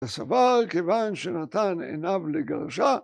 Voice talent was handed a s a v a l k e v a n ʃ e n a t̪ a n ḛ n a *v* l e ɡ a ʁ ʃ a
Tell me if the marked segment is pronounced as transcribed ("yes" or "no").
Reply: yes